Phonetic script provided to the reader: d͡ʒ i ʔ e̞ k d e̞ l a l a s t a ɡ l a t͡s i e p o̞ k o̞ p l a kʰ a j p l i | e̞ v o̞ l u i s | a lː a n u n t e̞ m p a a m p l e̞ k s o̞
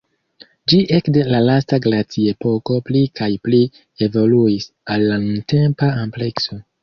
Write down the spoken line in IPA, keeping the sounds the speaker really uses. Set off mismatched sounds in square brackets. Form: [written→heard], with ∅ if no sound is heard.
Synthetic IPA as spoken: d͡ʒ i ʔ e̞ k d e̞ l a l a s t a ɡ l a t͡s i e p o̞ k o̞ p l [a→i] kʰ a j p l i | e̞ v o̞ l u i s | a lː a n u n t e̞ m p a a m p l e̞ k s o̞

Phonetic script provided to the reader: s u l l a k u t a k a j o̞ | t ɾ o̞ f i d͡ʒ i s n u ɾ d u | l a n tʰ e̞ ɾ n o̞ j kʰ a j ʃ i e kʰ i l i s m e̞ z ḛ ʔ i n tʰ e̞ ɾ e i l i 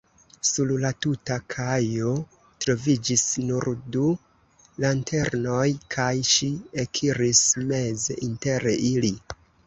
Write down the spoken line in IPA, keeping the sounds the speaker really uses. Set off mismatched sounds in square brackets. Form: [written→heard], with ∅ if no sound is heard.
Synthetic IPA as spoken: s u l l a [k→t] u t a [k→kʰ] a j o̞ | t ɾ o̞ [f→v] i d͡ʒ i s n u ɾ d u | l a n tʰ e̞ ɾ n o̞ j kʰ a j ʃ i e kʰ i [l→ɾ] i s m e̞ z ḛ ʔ i n [tʰ→t] e̞ ɾ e i l i

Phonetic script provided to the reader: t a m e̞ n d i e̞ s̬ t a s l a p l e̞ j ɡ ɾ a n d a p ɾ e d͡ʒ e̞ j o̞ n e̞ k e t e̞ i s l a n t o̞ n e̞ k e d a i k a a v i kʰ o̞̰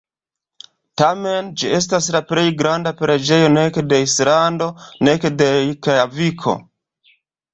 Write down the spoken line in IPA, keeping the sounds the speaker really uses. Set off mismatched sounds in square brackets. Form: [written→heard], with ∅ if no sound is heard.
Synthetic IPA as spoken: t a m e̞ n [d→d͡ʒ] i e̞ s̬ t a s l a p l e̞ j ɡ ɾ a n d a p ɾ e d͡ʒ e̞ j o̞ n e̞ k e [t→d] e̞ i s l a n [t→d] o̞ n e̞ k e d [a→e] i k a a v i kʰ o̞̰

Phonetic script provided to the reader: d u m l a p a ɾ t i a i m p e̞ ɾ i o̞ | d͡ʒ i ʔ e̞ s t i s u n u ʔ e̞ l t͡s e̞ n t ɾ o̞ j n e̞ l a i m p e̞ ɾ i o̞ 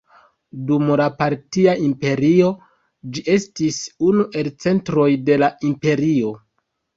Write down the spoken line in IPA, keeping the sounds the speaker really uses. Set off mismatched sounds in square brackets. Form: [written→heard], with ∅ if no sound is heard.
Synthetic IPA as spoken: d u m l a p a ɾ t i a i m p e̞ ɾ i o̞ | d͡ʒ i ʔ e̞ s t i s u n u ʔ e̞ l t͡s e̞ n t ɾ o̞ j [n→d] e̞ l a i m p e̞ ɾ i o̞

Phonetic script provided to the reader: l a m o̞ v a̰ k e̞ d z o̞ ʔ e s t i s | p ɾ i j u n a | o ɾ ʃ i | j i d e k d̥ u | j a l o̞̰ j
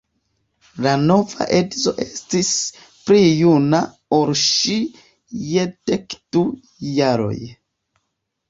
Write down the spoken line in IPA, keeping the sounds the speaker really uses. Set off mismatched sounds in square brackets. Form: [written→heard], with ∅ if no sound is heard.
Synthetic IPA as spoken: l a [m→n] o̞ v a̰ [k→ʔ] e̞ d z o̞ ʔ e s t i s | p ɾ i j u n a | o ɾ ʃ i | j [i→e] d e k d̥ u | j a [l→ɾ] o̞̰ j

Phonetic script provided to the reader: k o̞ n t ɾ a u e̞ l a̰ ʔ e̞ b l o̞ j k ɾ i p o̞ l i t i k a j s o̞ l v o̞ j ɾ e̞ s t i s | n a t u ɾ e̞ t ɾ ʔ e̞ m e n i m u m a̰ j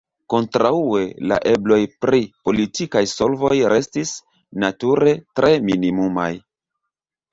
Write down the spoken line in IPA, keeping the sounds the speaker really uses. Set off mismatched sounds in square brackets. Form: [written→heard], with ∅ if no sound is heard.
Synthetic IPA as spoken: k o̞ n t ɾ a u e̞ l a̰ ʔ e̞ b l o̞ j [k→p] ɾ i p o̞ l i t i k a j s o̞ l v o̞ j ɾ e̞ s t i s | n a t u ɾ e̞ t ɾ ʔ e̞ m [e→i] n i m u m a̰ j

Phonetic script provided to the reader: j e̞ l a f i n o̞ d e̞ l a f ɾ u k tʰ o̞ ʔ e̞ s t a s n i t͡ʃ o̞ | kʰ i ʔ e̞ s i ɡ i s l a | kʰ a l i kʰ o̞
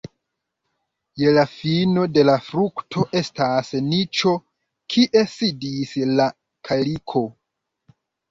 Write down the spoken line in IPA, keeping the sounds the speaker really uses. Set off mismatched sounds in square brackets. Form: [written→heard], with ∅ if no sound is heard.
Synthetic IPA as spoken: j e̞ l a f i n o̞ d e̞ l a f ɾ u k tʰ o̞ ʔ e̞ s t a s n i t͡ʃ o̞ | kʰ i ʔ e̞ s i [ɡ→d] i s l a | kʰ a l i kʰ o̞

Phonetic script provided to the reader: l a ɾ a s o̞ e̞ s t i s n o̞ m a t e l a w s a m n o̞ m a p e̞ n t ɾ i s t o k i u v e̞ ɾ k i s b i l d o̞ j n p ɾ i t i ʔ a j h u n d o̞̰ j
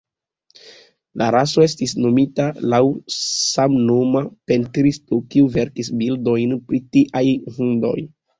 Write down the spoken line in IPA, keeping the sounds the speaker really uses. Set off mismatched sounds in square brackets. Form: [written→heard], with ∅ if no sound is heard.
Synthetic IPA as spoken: l a ɾ a s o̞ e̞ s t i s n o̞ m [a→i] t [e→a] l a w s a m n o̞ m a p e̞ n t ɾ i s t o k i u v e̞ ɾ k i s b i l d o̞ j n p ɾ i t i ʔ a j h u n d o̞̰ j

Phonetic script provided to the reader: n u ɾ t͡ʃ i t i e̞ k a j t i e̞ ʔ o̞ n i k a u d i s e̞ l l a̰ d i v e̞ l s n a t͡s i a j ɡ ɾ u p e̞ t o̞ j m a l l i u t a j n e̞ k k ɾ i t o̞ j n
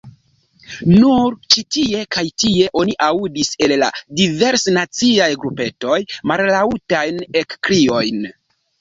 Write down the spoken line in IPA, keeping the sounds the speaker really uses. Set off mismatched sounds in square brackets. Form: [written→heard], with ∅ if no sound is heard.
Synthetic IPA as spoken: n u ɾ t͡ʃ i t i e̞ k a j t i e̞ ʔ o̞ n i [k→ʔ] a u d i s e̞ l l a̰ d i v e̞ [l→ɾ] s n a t͡s i a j ɡ ɾ u p e̞ t o̞ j m a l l [i→a] u t a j n e̞ k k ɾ i [t→∅] o̞ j n

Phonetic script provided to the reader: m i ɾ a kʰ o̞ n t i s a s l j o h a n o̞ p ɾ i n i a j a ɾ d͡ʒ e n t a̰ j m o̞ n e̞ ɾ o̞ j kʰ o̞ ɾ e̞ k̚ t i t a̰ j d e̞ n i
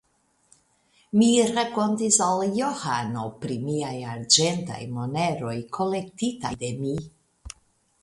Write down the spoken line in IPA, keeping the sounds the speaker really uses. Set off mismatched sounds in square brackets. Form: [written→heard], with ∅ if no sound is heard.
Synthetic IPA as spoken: m i ɾ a [kʰ→k] o̞ n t i s a [s→∅] l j o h a n o̞ p ɾ i [n→m] i a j a ɾ d͡ʒ e n t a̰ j m o̞ n e̞ ɾ o̞ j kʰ o̞ [ɾ→l] e̞ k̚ t i t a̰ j d e̞ [n→m] i

